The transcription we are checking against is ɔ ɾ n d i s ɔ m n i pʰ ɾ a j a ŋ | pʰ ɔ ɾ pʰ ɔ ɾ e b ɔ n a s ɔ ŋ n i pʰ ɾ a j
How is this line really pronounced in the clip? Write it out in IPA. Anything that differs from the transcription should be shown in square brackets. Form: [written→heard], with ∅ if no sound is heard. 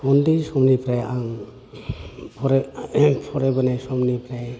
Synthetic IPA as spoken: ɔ [ɾ→∅] n d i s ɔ m n i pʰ ɾ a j a ŋ | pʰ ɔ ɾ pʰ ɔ ɾ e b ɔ n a s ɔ [ŋ→m] n i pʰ ɾ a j